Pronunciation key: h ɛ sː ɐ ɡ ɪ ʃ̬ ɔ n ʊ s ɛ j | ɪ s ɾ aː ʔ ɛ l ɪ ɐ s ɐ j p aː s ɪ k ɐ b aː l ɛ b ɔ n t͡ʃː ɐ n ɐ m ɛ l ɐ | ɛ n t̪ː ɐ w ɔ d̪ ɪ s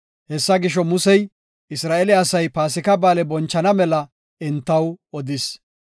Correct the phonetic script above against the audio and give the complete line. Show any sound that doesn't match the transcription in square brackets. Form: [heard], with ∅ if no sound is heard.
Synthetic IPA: h ɛ sː ɐ ɡ ɪ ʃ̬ ɔ [m] ʊ s ɛ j | ɪ s ɾ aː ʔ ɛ l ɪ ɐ s ɐ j p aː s ɪ k ɐ b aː l ɛ b ɔ n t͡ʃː ɐ n ɐ m ɛ l ɐ | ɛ n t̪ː ɐ w ɔ d̪ ɪ s